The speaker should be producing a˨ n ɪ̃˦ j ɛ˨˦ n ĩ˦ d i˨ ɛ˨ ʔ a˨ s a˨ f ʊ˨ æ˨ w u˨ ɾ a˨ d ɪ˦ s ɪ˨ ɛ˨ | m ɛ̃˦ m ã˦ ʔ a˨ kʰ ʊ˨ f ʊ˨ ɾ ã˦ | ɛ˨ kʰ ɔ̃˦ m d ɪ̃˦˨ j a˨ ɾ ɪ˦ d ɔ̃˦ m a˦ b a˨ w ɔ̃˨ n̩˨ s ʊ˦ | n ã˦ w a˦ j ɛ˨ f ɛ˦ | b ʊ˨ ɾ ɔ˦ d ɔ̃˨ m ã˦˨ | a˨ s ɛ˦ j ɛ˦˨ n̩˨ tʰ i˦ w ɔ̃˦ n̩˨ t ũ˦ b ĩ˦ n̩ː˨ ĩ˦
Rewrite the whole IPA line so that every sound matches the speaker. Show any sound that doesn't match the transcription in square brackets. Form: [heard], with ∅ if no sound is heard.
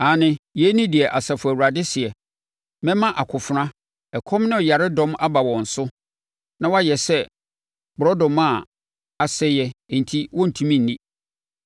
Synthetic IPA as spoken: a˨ n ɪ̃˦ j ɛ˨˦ n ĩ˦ d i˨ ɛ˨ ʔ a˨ s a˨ f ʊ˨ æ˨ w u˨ ɾ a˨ d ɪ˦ s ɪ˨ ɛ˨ | m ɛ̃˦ m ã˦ ʔ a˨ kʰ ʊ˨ f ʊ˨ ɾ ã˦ | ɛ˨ kʰ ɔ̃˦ m [n] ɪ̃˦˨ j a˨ ɾ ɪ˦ d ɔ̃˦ m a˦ b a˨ w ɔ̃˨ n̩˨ s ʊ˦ | n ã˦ w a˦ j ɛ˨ [s] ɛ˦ | b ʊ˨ ɾ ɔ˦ d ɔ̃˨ m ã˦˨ | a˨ s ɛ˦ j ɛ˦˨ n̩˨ tʰ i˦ w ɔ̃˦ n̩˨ [tʰ] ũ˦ [m] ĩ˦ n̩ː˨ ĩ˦

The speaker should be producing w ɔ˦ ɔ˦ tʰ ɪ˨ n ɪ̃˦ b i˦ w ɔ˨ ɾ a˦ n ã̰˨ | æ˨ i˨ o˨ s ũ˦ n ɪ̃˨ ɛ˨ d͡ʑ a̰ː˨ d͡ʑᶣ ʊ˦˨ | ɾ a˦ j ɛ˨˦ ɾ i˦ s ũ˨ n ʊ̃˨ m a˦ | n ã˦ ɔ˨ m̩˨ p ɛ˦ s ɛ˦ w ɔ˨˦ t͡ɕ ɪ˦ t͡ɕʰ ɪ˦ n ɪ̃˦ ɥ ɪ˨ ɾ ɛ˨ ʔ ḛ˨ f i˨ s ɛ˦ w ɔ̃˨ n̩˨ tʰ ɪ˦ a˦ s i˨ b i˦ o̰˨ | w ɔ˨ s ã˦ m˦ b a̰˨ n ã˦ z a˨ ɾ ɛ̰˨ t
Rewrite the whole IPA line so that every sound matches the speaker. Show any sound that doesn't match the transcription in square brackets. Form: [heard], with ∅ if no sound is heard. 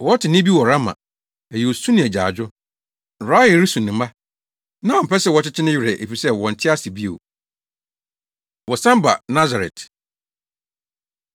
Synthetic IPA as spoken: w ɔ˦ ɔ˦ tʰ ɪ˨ n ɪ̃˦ b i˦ w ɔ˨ ɾ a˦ [m] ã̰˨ | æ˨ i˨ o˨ s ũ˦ n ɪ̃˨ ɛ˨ d͡ʑ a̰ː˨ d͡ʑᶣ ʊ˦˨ | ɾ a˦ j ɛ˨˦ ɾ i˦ s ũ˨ n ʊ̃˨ m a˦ | n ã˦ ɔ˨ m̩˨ p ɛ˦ s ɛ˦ w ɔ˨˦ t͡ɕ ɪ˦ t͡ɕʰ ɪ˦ n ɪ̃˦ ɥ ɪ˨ ɾ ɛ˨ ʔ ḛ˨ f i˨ s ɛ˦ w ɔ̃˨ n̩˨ tʰ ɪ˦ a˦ s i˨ b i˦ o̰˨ | w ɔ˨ s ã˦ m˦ b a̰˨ n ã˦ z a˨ ɾ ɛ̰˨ t

